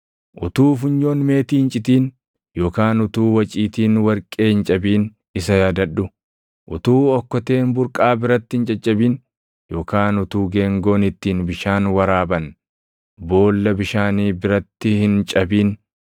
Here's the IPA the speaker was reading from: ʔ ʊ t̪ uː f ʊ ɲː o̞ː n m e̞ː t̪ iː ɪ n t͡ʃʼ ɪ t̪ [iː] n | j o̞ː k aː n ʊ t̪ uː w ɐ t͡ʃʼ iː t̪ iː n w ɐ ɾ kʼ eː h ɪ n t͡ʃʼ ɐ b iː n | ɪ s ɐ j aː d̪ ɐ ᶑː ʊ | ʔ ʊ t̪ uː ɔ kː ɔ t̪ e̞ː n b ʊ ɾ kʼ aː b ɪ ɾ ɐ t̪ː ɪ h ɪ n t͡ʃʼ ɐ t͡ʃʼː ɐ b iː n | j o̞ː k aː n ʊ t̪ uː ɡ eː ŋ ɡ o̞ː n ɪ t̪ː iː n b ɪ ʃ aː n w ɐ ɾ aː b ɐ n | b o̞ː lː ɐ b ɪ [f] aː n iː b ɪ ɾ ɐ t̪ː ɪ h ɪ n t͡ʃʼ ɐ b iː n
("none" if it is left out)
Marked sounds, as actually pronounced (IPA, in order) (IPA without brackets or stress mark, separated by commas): iː, ʃ